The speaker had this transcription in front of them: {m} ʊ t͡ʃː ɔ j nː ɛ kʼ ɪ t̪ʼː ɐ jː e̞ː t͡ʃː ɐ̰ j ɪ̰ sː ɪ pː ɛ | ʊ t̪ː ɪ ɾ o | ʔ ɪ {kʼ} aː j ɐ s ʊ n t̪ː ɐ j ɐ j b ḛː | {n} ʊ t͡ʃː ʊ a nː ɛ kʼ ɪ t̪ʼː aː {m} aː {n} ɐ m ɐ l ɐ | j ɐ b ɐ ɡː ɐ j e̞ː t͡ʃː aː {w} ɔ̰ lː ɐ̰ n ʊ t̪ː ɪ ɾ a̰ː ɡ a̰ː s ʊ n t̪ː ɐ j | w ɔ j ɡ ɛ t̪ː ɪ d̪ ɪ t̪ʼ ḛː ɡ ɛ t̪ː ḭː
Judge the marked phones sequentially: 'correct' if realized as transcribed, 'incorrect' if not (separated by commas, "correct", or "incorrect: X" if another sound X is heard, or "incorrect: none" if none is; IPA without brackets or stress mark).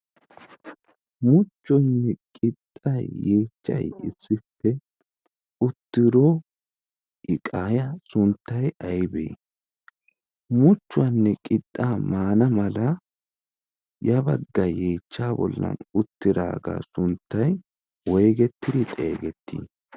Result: correct, correct, incorrect: m, correct, correct, incorrect: b